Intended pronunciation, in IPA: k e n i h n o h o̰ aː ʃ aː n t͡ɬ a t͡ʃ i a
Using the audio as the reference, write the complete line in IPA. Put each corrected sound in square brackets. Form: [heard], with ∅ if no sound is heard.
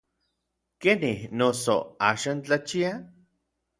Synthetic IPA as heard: k e n i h n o [s] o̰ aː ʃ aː n t͡ɬ a t͡ʃ i a